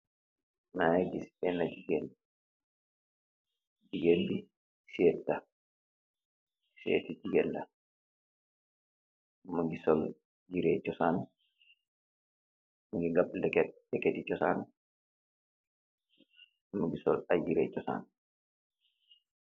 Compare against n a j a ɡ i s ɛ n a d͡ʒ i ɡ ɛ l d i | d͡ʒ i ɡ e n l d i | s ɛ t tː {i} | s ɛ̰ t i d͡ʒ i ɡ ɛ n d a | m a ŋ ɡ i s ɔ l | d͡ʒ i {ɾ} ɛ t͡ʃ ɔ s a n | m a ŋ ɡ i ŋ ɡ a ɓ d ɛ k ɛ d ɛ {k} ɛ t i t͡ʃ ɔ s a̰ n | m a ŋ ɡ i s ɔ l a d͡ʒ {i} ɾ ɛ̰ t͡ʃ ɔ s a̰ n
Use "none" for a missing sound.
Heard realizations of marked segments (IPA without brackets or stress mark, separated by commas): a, ɾ, k, i